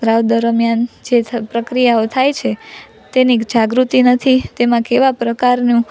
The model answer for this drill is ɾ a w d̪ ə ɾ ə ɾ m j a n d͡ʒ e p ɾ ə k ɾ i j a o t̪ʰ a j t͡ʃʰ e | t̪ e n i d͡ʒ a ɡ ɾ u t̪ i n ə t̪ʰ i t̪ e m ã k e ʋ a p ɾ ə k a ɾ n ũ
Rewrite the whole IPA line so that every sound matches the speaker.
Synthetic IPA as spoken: ɾ a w d̪ ə ɾ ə m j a n d͡ʒ e p ɾ ə k ɾ i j a o t̪ʰ a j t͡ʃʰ e | t̪ e n i d͡ʒ a ɡ ɾ u t̪ i n ə t̪ʰ i t̪ e m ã k e ʋ a p ɾ ə k a ɾ n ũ